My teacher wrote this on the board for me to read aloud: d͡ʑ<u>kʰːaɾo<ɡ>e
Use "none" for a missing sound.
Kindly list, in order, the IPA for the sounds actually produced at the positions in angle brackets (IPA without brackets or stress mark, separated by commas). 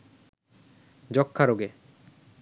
ɔ, ɡ